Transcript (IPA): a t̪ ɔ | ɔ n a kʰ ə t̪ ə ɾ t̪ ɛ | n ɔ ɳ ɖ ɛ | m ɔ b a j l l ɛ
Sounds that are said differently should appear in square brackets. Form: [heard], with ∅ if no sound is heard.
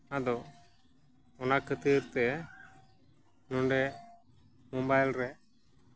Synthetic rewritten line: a [d̪] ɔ | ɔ n a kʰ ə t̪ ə ɾ t̪ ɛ | n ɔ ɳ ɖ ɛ | m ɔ b a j l [ɾ] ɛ